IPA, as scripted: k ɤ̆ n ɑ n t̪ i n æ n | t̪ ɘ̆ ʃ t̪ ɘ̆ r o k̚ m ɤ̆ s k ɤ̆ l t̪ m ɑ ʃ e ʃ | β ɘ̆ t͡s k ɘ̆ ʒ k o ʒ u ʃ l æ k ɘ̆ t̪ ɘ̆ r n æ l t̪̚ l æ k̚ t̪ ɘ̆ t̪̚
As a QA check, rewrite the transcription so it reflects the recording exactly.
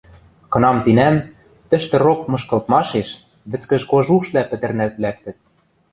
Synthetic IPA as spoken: k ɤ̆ n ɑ m t̪ i n æ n | t̪ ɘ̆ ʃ t̪ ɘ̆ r o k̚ m ɤ̆ ʃ k ɤ̆ l t̪ m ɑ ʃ e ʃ | β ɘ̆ t͡s k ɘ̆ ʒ k o ʒ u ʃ l æ p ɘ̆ t̪ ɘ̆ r n æ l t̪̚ l æ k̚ t̪ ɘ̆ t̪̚